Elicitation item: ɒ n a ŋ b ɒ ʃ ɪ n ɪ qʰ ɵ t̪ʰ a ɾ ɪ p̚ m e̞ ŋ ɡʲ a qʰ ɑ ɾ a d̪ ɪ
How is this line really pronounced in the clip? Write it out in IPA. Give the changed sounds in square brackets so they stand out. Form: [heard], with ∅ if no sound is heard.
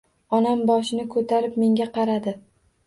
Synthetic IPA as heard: ɒ n a [m] b ɒ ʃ ɪ n ɪ [kʰ] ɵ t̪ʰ a ɾ ɪ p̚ m e̞ ŋ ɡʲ a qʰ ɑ ɾ a d̪ ɪ